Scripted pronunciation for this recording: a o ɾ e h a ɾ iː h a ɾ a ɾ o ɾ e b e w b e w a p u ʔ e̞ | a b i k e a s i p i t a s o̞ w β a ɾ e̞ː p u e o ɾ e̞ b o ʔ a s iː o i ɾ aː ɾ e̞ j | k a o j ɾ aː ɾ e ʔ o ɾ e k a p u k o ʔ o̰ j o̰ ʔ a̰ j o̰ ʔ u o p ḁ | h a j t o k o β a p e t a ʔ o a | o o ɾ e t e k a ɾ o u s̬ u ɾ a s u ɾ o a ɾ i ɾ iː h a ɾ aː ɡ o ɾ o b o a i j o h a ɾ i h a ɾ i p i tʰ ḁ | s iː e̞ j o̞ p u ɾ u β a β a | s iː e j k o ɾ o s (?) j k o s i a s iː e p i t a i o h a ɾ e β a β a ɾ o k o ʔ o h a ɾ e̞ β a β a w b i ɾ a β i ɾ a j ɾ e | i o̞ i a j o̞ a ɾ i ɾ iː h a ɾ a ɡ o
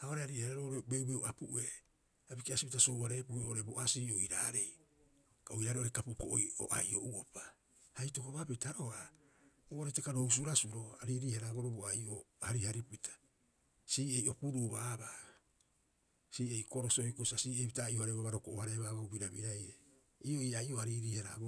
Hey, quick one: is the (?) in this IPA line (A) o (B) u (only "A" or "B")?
A